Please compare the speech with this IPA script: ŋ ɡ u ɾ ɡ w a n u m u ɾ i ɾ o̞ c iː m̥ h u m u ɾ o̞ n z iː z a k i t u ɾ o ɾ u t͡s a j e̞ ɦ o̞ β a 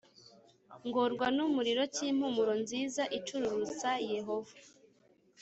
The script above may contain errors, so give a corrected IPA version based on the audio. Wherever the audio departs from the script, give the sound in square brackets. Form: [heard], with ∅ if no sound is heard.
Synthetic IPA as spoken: ŋ ɡ [o] ɾ ɡ w a n u m u ɾ i ɾ o̞ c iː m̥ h u m u ɾ o̞ n z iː z a [ʔ] i [t͡ʃ] u ɾ [u] ɾ u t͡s a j e̞ ɦ o̞ [v] a